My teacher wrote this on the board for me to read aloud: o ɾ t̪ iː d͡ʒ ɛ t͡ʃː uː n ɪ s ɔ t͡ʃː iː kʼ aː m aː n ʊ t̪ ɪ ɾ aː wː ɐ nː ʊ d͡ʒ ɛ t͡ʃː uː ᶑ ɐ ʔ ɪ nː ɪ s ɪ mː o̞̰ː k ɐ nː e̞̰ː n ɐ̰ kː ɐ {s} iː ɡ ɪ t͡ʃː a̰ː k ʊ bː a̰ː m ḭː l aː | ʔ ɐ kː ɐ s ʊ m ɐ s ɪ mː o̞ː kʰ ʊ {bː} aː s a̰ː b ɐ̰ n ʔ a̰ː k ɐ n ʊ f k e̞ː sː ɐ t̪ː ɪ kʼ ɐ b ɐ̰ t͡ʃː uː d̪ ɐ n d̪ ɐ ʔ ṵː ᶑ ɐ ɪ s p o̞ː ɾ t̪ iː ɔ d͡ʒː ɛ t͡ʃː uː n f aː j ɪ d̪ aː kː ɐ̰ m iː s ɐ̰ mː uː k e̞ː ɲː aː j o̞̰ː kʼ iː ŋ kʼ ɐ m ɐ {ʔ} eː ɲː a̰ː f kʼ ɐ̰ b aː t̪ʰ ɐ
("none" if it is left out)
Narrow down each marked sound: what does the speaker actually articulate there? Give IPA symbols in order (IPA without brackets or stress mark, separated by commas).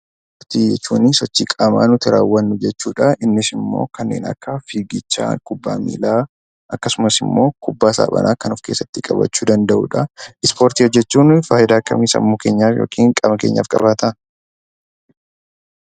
f, bː, k